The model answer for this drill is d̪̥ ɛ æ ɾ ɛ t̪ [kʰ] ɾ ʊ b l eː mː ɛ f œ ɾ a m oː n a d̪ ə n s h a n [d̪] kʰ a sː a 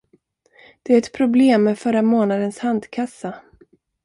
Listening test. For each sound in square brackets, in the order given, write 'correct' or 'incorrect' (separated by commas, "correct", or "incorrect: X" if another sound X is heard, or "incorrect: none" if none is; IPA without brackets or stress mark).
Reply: incorrect: pʰ, correct